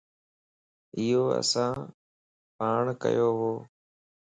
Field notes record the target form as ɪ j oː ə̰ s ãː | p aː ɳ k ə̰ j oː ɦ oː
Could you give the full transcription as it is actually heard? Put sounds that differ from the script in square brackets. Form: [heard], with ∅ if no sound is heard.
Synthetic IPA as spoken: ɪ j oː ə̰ s ãː | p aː ɳ k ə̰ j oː ɦ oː